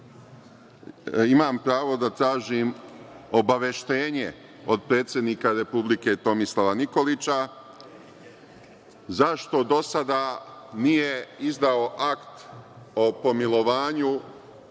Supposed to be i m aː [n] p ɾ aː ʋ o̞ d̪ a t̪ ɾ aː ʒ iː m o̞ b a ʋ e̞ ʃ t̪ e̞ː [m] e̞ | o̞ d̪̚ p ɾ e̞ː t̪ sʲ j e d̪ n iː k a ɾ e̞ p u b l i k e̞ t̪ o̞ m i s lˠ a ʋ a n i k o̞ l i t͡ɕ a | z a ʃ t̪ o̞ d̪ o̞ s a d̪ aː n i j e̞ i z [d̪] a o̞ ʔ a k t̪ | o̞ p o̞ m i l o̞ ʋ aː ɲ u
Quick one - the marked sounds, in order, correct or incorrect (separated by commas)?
incorrect, incorrect, correct